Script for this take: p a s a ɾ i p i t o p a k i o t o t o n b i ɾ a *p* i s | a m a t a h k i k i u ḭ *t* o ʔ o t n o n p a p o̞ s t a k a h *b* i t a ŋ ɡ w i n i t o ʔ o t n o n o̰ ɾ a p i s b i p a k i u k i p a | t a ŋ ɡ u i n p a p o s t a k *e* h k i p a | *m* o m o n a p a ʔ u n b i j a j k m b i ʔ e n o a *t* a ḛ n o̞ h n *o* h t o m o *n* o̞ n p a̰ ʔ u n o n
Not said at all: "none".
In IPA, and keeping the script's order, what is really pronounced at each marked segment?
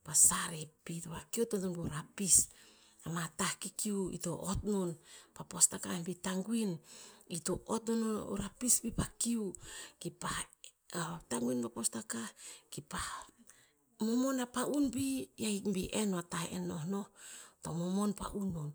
p, t, b, a, m, t, o, m

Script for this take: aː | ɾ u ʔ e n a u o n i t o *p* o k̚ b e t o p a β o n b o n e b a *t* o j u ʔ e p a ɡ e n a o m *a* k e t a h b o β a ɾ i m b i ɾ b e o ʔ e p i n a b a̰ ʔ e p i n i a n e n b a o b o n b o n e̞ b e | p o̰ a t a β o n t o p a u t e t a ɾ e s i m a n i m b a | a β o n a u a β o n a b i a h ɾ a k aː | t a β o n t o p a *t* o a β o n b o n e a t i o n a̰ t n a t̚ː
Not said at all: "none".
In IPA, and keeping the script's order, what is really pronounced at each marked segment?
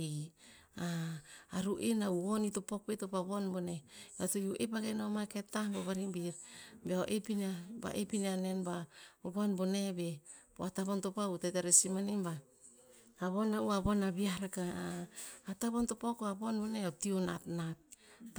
p, t, a, k

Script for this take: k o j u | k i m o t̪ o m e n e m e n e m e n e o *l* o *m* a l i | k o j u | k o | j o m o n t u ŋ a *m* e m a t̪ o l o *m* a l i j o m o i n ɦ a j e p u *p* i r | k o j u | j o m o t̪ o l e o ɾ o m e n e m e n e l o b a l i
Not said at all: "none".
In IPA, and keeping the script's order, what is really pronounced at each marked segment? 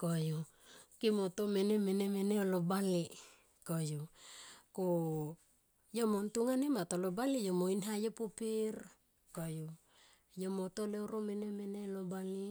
l, b, n, b, p

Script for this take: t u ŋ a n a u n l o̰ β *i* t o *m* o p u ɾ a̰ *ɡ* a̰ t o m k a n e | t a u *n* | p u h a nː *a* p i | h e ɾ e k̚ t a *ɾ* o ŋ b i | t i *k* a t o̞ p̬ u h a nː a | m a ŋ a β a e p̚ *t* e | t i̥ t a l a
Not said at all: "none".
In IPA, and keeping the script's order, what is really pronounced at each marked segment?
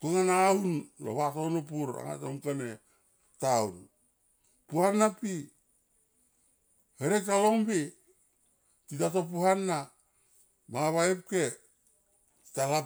a, n, ŋ, n, a, l, t, k

